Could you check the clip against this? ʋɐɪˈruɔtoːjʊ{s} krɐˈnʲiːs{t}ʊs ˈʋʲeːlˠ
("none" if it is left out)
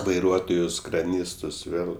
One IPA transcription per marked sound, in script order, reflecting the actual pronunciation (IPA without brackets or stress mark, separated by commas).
s, t